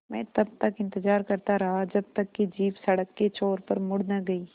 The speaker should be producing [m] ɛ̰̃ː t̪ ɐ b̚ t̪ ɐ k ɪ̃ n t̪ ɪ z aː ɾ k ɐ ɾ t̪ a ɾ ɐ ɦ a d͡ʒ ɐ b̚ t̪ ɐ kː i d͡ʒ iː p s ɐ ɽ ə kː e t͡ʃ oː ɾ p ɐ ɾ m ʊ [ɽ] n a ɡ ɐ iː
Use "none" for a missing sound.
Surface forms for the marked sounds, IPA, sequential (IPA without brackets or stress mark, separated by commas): m, ɽ